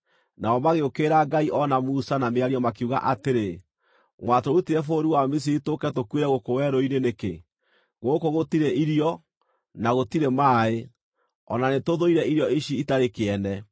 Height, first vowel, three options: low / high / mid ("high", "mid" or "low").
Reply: low